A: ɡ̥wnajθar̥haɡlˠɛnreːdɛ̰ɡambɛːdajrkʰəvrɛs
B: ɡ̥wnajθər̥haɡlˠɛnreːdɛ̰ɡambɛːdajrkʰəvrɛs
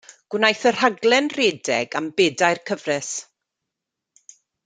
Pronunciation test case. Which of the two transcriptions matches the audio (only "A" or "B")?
B